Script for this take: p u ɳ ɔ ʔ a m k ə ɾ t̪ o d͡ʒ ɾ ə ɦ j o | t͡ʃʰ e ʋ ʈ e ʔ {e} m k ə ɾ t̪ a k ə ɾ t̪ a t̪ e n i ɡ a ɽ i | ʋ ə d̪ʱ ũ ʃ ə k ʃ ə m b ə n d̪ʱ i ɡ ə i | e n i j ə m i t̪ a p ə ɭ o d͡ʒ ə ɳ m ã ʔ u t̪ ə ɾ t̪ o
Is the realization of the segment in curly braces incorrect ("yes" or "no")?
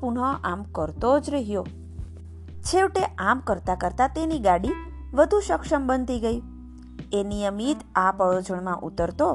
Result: yes